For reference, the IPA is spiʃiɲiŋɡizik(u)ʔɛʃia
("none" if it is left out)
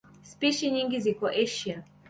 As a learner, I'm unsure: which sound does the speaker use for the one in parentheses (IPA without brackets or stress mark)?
ɔ